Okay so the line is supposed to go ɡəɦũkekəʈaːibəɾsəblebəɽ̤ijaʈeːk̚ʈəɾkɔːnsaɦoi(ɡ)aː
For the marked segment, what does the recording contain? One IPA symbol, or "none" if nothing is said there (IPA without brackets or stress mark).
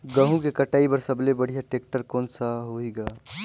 ɡ